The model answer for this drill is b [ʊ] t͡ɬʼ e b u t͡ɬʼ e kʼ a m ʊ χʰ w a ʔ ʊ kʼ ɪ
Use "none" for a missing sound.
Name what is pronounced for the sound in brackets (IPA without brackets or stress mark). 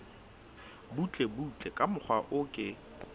u